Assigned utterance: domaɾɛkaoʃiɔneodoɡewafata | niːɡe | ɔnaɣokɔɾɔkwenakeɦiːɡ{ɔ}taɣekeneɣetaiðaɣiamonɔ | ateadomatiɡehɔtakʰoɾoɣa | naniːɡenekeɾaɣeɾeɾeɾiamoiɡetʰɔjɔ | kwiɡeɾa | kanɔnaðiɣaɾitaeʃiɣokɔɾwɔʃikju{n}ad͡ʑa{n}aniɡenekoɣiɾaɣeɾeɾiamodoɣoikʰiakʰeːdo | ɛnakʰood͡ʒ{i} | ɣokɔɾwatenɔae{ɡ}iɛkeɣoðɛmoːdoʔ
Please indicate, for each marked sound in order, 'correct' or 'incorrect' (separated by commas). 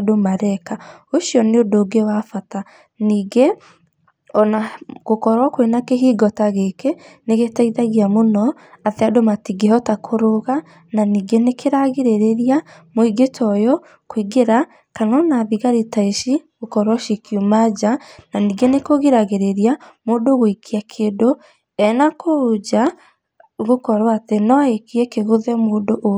correct, incorrect, correct, incorrect, incorrect